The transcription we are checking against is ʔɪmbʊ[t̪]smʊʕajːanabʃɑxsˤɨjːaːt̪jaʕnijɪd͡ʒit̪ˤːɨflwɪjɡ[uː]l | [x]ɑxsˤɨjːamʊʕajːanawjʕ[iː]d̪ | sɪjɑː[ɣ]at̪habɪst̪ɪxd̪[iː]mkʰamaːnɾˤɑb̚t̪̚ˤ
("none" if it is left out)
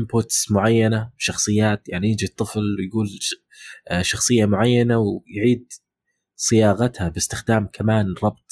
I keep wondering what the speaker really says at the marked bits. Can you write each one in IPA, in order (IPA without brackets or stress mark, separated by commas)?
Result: t̪, uː, ʃ, iː, ɣ, aː